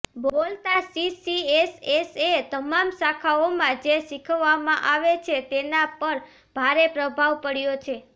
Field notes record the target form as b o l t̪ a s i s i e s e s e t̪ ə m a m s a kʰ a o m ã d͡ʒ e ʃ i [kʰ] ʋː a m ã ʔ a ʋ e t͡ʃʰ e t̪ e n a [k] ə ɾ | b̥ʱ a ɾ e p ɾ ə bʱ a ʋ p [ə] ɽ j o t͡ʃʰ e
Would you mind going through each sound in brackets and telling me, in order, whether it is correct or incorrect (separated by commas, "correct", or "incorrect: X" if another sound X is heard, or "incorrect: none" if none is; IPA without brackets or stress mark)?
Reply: correct, incorrect: p, correct